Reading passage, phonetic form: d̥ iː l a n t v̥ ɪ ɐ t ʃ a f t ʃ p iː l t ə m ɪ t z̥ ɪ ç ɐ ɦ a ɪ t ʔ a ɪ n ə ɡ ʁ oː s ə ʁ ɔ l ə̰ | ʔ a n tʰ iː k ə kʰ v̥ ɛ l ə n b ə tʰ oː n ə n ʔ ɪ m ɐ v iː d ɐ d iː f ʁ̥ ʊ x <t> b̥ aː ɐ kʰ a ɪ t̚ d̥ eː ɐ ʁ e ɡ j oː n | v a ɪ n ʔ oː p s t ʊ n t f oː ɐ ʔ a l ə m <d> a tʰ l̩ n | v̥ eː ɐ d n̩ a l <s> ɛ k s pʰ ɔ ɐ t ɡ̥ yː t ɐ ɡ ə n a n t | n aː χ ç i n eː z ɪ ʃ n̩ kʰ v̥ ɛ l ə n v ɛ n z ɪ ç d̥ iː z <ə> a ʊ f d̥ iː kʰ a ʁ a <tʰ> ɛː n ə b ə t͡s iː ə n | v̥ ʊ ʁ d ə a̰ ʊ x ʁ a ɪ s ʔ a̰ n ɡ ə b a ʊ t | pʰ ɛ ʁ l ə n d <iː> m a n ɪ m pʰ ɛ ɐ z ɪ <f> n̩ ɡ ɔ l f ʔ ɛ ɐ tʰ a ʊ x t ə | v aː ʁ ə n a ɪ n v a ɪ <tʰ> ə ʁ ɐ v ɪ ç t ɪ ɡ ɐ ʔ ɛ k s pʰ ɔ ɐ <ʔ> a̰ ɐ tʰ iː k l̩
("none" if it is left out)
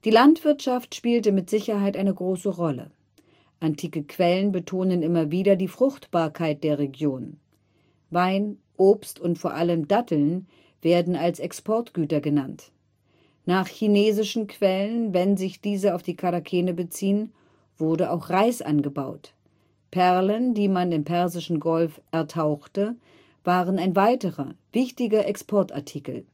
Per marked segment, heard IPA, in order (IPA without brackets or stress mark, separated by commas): t, d, s, ə, kʰ, iː, ʃ, t, t